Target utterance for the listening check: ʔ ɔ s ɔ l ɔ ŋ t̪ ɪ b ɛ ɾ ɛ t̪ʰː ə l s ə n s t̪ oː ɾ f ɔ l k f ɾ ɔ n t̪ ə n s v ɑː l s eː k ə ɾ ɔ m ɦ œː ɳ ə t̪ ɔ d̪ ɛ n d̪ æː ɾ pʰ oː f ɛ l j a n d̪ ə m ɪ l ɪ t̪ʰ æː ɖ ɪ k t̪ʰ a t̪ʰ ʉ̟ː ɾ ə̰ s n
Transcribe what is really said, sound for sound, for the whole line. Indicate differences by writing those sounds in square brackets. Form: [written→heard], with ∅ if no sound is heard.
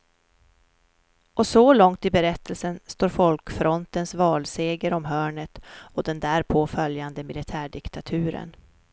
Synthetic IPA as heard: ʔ ɔ s ɔ l ɔ ŋ t̪ ɪ b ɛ ɾ ɛ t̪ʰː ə l s ə n s t̪ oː ɾ f ɔ l k f ɾ ɔ n t̪ ə n s v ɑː l s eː [k→ɡ] ə ɾ ɔ m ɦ œː ɳ ə t̪ ɔ d̪ ɛ n d̪ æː ɾ pʰ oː f [ɛ→œ] l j a n d̪ ə m ɪ l ɪ t̪ʰ æː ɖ ɪ k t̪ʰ a t̪ʰ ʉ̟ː ɾ ə̰ [s→∅] n